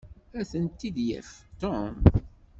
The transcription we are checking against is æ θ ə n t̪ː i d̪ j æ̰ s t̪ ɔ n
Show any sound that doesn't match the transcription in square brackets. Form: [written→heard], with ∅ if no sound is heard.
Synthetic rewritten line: æ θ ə n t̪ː i d̪ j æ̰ [s→f] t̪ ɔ [n→m]